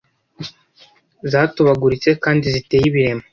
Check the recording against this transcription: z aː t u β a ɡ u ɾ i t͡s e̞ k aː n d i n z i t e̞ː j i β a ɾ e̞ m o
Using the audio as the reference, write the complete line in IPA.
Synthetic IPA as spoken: z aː t u β a ɡ u ɾ i t͡s e̞ k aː n d i z i t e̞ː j i β i ɾ e̞ m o